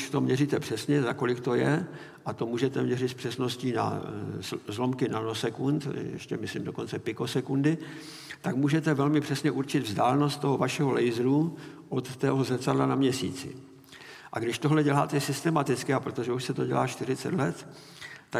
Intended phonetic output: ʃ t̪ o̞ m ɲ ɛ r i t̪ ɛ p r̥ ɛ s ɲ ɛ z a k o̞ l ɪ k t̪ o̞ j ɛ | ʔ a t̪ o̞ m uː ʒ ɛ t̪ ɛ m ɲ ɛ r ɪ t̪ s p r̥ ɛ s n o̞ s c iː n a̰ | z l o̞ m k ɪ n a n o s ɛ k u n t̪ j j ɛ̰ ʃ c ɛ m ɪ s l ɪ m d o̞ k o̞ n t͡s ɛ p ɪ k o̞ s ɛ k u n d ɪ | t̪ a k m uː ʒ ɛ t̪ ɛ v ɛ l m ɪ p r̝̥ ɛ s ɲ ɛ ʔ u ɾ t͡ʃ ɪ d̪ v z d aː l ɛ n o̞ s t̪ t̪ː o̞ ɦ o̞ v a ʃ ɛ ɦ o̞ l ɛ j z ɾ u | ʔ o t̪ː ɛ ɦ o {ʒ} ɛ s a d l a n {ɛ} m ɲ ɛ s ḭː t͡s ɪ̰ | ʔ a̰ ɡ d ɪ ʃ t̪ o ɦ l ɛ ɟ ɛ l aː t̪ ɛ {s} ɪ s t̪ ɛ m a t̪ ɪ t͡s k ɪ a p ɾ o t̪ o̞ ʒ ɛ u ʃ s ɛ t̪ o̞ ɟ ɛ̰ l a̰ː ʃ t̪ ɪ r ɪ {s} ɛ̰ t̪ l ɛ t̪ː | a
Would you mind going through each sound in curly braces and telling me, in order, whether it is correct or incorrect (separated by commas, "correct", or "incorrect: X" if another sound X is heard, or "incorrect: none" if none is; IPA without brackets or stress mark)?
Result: incorrect: z, incorrect: a, correct, incorrect: t͡s